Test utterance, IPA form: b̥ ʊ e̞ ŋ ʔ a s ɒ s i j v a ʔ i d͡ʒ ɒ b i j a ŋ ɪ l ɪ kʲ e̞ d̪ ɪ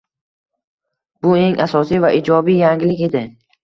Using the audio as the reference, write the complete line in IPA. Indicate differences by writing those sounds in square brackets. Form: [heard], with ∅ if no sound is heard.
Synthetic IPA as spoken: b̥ ʊ e̞ ŋ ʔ a s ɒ s i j v a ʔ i d͡ʒ ɒ b i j a ŋ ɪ l ɪ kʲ e̞ d̪ ɪ